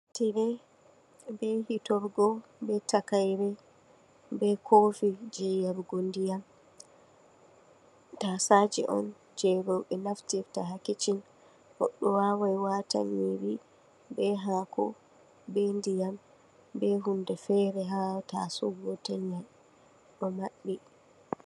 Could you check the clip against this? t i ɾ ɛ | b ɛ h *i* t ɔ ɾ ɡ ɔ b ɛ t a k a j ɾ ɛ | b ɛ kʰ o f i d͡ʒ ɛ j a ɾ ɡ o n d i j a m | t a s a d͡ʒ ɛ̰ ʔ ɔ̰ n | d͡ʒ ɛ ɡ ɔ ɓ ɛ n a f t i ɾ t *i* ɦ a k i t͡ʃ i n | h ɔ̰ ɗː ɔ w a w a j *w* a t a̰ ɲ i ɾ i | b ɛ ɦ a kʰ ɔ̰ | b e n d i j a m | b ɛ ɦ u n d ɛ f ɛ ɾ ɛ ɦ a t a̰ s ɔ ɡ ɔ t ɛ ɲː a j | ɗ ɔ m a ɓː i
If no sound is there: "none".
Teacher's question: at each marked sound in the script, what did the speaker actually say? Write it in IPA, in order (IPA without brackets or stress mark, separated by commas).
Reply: i, a, w